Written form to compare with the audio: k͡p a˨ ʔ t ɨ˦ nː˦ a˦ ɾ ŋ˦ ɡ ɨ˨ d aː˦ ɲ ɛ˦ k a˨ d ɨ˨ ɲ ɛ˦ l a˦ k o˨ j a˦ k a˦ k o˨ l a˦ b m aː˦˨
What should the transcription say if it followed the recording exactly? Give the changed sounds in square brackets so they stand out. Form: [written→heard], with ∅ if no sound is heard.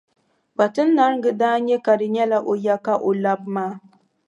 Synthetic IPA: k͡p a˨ [ʔ→∅] t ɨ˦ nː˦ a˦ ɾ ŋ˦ ɡ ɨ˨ d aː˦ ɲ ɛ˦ k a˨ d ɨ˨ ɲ ɛ˦ l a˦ [k→ʔ] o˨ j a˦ k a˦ [k→ʔ] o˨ l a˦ b m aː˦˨